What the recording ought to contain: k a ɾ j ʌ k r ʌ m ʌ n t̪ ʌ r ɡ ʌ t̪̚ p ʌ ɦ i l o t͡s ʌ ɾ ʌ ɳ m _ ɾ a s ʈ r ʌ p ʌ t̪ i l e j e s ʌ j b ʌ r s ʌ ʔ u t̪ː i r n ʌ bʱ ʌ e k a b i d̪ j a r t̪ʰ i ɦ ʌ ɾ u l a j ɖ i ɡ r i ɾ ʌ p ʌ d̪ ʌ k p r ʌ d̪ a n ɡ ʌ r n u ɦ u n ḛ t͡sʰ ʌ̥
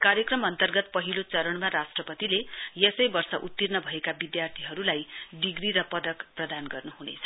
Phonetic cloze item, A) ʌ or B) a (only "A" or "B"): B